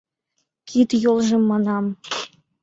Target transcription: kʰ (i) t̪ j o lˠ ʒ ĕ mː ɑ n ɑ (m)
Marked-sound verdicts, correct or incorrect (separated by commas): correct, correct